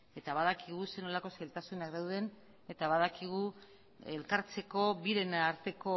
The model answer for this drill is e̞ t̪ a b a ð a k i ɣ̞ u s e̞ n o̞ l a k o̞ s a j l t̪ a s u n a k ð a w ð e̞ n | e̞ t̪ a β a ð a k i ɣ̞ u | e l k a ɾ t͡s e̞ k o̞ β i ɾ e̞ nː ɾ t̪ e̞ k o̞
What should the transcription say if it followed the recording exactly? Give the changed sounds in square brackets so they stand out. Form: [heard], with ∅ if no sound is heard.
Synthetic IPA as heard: e̞ t̪ a [β] a ð a k i ɣ̞ u s e̞ n o̞ l a k o̞ s a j l t̪ a s u n a k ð a w ð e̞ n | e̞ t̪ a β a ð a k i ɣ̞ u | e l k a ɾ t͡s e̞ k o̞ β i ɾ e̞ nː ɾ t̪ e̞ k o̞